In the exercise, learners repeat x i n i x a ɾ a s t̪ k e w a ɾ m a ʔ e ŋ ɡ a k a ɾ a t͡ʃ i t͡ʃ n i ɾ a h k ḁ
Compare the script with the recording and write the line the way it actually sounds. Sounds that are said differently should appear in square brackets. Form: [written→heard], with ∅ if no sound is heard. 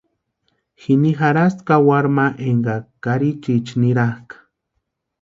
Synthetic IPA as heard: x i n i x a ɾ a s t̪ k [e→a] w a ɾ m a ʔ e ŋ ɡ a k a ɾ [a→i] t͡ʃ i t͡ʃ n i ɾ a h k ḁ